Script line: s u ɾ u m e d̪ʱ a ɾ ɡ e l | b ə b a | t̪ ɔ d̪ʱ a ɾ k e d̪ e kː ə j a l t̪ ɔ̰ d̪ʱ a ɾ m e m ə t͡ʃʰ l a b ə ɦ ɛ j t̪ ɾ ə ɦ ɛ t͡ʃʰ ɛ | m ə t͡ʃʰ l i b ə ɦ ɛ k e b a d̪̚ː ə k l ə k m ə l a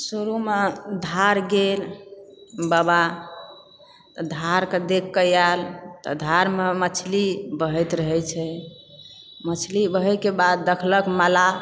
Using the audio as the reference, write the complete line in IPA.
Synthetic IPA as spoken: s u ɾ u m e d̪ʱ a ɾ ɡ e l | b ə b a | t̪ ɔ d̪ʱ a ɾ k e d̪ e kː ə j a l t̪ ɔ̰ d̪ʱ a ɾ m e m ə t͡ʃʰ l i b ə ɦ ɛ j t̪ ɾ ə ɦ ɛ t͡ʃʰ ɛ | m ə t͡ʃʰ l i b ə ɦ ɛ k e b a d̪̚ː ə kʰ l ə k m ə l a